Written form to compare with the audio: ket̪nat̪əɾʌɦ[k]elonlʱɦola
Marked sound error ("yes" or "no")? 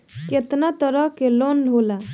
no